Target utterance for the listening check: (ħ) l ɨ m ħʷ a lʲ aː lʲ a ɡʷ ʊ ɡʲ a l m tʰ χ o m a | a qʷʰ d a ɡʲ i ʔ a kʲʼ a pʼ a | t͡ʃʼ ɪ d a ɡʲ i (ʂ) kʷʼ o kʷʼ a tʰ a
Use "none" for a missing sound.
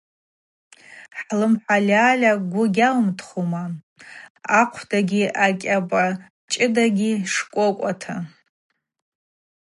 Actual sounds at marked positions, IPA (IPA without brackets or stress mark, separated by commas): ħ, ʂ